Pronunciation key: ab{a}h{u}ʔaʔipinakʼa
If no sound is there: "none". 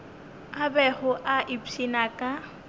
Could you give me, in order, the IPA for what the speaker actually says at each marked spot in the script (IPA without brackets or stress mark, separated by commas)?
ɛ, ʊ